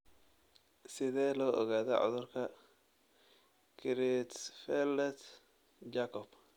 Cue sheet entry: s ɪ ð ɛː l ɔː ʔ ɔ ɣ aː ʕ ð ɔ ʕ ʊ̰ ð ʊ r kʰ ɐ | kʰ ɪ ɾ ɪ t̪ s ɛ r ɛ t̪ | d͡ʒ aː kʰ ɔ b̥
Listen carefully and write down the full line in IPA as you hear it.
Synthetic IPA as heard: s ɪ ð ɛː l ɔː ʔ ɔ ɣ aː ð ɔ ʕ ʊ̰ ð ʊ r kʰ ɐ | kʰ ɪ ɾ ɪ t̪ f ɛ l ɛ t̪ | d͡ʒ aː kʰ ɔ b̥